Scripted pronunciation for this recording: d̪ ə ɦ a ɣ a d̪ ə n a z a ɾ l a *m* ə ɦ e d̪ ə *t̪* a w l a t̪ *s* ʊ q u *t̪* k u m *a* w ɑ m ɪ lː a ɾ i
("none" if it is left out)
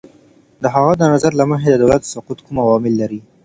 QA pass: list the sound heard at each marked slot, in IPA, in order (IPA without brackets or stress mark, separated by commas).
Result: m, d̪, s, t̪, a